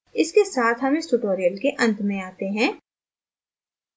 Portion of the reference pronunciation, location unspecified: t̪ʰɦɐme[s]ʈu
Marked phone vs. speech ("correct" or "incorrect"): correct